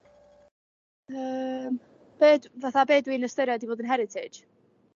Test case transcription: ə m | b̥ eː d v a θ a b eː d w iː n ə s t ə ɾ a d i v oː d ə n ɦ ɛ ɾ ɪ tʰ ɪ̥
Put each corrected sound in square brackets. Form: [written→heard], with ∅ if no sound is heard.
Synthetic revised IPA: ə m | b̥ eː d v a θ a b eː d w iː n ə s t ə ɾ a d i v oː d ə n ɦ ɛ ɾ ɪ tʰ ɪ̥